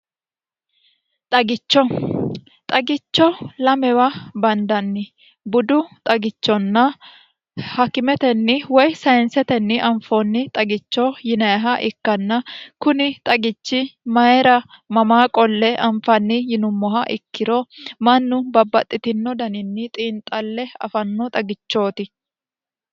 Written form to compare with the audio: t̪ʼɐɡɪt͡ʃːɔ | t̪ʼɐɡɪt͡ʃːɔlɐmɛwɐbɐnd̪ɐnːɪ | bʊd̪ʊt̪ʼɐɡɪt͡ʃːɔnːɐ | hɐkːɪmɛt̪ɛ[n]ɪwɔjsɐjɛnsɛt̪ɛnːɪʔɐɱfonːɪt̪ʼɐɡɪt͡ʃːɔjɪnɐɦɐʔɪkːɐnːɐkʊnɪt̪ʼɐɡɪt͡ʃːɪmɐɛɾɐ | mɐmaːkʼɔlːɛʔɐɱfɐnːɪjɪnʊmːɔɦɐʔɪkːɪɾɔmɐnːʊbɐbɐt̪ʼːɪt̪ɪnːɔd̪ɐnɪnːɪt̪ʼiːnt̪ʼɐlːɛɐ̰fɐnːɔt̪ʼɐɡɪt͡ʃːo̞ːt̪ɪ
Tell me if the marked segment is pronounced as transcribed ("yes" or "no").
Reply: no